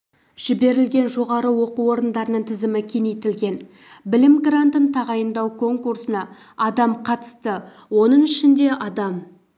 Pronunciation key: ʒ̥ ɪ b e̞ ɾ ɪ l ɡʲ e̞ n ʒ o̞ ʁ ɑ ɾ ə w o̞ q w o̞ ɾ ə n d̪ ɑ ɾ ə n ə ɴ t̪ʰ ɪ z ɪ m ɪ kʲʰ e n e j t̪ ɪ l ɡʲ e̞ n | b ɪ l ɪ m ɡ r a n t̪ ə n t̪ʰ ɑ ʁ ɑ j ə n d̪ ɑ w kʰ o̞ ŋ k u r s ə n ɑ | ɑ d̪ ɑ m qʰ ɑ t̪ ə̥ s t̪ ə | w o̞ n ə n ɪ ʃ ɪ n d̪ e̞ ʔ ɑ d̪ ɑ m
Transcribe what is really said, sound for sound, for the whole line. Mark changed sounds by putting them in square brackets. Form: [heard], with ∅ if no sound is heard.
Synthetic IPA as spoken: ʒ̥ ɪ b e̞ ɾ ɪ l ɡʲ e̞ n ʒ o̞ ʁ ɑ ɾ ə w o̞ q [u] o̞ ɾ ə n d̪ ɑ ɾ ə n ə ɴ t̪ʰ ɪ z ɪ m ɪ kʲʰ e n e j t̪ ɪ l ɡʲ e̞ n | b ɪ l ɪ m ɡ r a n t̪ ə n t̪ʰ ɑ ʁ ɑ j ə n d̪ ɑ w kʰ o̞ ŋ k u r s ə n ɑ | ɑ d̪ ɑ m qʰ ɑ t̪ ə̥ s t̪ ə | w o̞ n ə [ɴ] ɪ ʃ ɪ n d̪ e̞ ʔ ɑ d̪ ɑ m